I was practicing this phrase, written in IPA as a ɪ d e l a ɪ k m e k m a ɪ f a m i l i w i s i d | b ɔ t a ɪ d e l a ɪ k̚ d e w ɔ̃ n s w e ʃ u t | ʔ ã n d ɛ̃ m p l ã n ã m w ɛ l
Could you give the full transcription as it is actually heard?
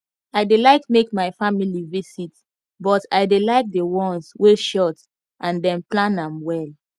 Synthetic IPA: a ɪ d e l a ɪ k m e k m a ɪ f a m i l i v i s i t | b ɔ t a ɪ d e l a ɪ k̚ d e w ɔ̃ n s w e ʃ ɔ t | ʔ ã n d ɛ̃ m p l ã n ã m w ɛ l